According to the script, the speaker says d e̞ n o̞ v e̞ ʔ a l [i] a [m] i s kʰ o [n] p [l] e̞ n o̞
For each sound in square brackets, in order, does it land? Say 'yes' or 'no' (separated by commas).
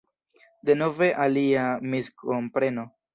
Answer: yes, yes, no, no